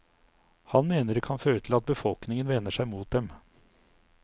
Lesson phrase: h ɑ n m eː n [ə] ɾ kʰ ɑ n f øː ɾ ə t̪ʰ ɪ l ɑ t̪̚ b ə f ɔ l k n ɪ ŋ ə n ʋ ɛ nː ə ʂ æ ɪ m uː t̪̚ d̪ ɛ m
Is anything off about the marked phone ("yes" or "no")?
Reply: no